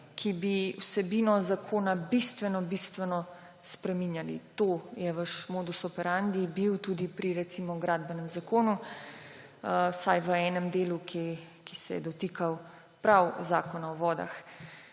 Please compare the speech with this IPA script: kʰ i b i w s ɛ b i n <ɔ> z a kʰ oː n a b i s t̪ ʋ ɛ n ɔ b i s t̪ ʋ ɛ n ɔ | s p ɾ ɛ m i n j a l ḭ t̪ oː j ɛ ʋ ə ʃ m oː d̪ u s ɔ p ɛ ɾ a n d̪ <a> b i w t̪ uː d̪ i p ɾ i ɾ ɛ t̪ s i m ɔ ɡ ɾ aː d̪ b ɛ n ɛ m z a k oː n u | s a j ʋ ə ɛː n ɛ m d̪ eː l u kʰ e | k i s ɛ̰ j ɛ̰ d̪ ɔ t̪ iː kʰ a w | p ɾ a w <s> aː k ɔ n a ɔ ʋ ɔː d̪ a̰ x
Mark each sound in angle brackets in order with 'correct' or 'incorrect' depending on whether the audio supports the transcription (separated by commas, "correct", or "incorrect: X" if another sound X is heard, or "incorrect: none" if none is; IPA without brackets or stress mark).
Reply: correct, incorrect: i, incorrect: z